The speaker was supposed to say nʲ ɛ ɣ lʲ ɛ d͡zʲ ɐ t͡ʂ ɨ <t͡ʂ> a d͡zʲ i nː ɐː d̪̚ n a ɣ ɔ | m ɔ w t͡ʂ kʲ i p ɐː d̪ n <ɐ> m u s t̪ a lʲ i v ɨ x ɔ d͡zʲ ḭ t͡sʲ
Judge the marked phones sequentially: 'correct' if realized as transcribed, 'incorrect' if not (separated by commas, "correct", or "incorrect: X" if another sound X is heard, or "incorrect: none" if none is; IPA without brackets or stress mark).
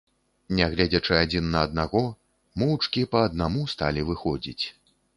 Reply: incorrect: none, incorrect: a